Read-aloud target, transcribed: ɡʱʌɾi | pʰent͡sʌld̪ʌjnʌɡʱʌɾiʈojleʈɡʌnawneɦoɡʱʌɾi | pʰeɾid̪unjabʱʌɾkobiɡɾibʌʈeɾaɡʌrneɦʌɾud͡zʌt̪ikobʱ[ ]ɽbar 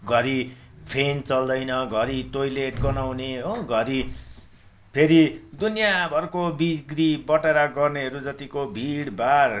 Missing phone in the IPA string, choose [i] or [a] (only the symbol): i